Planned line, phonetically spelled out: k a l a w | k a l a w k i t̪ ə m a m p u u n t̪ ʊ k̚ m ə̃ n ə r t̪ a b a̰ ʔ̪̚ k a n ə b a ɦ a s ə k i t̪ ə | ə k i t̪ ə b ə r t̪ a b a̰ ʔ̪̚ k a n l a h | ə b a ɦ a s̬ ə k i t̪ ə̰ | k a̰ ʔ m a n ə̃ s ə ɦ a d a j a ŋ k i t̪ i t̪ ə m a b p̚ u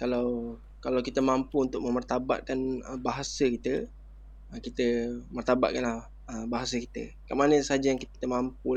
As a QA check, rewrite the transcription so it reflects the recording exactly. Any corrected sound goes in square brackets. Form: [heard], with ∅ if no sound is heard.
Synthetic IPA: k a l a w | k a l a w k i t̪ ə m a m p u u n t̪ ʊ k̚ m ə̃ [m] ə r t̪ a b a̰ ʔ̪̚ k a n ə b a ɦ a s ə k i t̪ ə | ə k i t̪ ə [m] ə r t̪ a b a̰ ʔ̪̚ k a n l a h | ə b a ɦ a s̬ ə k i t̪ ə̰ | k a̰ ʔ m a n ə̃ s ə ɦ a [d͡ʒ] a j a ŋ k i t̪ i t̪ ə m a [m] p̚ u